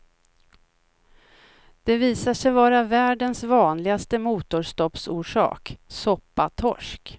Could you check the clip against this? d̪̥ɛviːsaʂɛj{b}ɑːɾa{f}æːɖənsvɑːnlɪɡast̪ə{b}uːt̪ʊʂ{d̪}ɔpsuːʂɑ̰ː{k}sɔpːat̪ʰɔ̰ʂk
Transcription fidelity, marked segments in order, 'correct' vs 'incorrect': incorrect, incorrect, incorrect, incorrect, correct

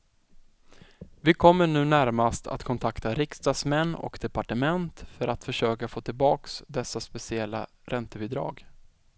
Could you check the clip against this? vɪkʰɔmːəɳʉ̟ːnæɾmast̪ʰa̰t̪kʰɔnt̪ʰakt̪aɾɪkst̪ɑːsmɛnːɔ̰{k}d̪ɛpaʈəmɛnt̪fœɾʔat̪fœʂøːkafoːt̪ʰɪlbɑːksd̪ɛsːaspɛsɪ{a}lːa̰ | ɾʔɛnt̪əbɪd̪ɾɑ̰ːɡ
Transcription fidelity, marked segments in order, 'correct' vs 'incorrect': correct, incorrect

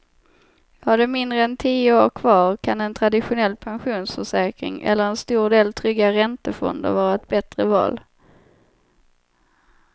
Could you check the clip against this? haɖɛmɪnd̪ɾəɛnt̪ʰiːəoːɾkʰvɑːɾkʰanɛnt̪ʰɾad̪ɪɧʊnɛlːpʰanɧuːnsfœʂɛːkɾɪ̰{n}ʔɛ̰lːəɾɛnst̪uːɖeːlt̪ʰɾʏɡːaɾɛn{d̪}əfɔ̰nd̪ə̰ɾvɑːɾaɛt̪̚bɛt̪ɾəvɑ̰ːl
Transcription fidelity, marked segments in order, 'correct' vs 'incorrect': incorrect, incorrect

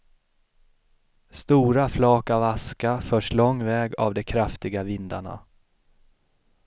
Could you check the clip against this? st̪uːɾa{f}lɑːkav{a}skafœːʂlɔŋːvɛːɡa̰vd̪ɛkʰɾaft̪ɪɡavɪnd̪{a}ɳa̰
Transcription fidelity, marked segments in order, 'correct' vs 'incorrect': correct, correct, correct

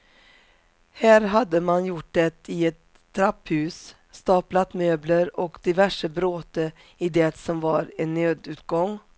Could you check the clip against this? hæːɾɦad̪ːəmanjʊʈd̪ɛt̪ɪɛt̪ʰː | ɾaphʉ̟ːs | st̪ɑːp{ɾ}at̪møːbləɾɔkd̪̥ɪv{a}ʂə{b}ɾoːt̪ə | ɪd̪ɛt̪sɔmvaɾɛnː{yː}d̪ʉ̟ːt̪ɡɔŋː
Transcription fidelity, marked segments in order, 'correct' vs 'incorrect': incorrect, incorrect, correct, incorrect

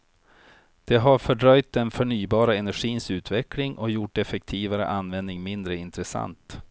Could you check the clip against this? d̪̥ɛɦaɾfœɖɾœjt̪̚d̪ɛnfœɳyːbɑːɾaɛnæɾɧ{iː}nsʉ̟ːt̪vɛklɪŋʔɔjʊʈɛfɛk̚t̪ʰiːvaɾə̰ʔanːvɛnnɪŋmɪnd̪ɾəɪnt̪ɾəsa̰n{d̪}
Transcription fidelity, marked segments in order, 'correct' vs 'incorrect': correct, incorrect

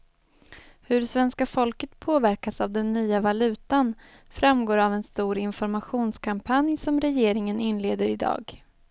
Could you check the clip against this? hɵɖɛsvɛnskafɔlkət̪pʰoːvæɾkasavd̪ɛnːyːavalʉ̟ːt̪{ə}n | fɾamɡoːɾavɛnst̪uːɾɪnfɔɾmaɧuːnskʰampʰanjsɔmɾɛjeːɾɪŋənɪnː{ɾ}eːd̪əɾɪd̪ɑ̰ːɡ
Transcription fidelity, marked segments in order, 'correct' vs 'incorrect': incorrect, incorrect

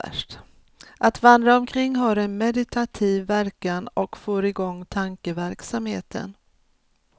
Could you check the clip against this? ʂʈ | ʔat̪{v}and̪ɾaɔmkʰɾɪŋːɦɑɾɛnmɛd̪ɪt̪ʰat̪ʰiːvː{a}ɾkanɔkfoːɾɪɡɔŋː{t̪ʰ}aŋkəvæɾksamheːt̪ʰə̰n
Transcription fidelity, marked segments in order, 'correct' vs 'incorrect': correct, incorrect, correct

